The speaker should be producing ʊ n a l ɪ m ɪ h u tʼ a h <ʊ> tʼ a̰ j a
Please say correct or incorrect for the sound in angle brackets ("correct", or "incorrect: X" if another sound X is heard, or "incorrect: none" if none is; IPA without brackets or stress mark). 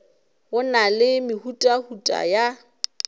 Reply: incorrect: u